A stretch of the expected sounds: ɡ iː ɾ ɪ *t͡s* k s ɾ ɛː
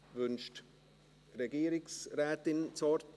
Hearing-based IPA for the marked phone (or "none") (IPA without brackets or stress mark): none